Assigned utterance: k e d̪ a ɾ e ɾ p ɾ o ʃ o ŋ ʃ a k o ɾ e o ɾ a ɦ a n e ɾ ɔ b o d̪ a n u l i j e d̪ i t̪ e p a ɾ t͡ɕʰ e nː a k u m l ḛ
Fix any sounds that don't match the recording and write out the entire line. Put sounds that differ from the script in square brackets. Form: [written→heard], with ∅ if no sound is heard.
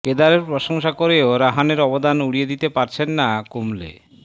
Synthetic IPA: k e d̪ a ɾ e ɾ p ɾ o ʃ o ŋ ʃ a k o ɾ e o ɾ a ɦ a n e ɾ ɔ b o d̪ a n u [l→ɽ] i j e d̪ i t̪ e p a ɾ t͡ɕʰ e nː a k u m l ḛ